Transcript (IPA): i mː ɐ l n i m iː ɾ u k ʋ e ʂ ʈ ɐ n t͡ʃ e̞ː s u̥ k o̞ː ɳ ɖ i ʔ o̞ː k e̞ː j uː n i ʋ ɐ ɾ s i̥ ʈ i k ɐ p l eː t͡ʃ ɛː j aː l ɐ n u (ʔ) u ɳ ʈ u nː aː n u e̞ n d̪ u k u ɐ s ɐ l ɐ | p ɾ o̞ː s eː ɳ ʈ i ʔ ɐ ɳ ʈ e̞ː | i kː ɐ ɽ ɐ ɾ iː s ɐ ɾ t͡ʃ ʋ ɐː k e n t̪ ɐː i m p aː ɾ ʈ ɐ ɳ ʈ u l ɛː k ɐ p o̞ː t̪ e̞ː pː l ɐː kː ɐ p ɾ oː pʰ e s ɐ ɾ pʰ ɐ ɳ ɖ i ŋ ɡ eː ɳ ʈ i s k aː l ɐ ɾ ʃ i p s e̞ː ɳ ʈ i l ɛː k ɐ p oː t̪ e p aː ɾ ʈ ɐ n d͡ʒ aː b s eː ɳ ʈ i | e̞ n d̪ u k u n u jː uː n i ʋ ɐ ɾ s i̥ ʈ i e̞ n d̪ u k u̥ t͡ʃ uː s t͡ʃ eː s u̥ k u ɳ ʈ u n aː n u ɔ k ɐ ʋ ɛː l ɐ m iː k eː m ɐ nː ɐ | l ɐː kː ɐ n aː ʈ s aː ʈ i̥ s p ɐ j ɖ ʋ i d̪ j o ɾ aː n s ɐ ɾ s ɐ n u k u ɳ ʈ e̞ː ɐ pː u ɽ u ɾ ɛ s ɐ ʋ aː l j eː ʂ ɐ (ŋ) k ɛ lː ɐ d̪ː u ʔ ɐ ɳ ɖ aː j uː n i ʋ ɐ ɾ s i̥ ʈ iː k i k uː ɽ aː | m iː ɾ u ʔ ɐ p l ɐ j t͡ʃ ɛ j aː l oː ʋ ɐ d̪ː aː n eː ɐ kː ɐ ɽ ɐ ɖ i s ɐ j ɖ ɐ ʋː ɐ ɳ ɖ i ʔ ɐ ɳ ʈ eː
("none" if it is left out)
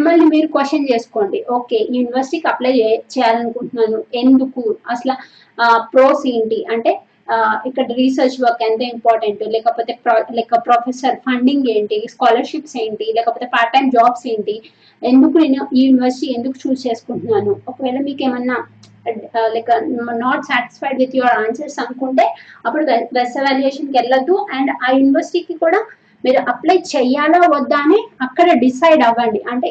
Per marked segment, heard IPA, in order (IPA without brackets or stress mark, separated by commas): k, n